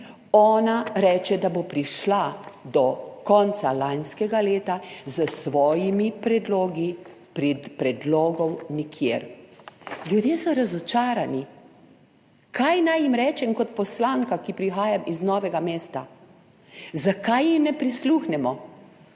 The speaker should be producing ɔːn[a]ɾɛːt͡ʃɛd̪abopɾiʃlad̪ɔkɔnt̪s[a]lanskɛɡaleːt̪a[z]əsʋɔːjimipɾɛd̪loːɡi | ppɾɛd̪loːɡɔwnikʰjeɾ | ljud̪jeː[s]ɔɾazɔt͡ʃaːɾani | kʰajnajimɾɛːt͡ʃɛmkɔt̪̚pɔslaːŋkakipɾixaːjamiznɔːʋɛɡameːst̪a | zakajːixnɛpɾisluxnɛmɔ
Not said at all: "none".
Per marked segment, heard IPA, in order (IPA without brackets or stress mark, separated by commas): a, a, z, s